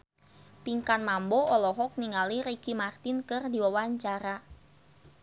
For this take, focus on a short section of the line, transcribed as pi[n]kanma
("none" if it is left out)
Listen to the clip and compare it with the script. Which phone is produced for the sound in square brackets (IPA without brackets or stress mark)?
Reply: ŋ